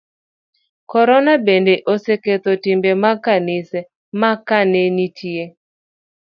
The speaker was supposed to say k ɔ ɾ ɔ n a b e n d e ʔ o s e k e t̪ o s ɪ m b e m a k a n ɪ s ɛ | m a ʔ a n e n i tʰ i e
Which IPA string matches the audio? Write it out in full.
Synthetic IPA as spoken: k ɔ ɾ ɔ n a b e n d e ʔ o s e k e t̪ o t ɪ m b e m a k a n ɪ s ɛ | m a k a n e n i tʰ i e